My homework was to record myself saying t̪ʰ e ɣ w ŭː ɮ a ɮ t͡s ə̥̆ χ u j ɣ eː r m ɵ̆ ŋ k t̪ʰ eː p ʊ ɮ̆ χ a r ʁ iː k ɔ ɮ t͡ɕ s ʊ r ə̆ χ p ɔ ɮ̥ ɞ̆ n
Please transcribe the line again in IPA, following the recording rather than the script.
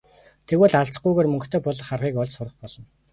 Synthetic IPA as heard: t̪ʰ e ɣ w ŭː ɮ a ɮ t͡s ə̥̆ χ u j ɣ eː r m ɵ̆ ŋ k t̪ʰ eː p ʊ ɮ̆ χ a r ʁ iː k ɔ ɮ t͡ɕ s ʊ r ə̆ χ p ɔ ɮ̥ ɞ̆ n